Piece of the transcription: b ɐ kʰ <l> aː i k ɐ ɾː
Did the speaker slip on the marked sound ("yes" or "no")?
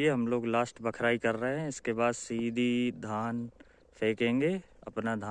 yes